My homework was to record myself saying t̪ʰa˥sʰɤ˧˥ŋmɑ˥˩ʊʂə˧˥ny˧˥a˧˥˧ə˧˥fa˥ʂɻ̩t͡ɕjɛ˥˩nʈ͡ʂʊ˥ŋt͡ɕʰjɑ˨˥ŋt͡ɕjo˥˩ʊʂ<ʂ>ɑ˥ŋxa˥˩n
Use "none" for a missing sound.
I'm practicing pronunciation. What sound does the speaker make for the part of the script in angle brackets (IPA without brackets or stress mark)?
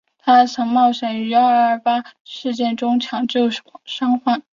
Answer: ʂ